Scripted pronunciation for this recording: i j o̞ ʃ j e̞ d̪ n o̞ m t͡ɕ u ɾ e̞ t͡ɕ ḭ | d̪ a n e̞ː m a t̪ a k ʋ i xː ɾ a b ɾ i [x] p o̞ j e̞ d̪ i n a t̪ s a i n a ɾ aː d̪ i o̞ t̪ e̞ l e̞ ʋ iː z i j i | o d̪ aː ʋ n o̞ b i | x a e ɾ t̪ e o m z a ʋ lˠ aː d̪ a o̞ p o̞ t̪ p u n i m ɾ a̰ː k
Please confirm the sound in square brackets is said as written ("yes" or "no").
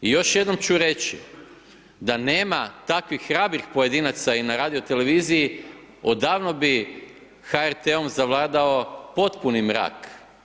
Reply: yes